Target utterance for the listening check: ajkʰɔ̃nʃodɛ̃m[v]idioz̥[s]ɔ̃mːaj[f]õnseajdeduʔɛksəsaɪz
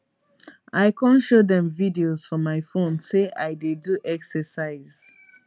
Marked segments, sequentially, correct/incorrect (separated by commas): correct, incorrect, correct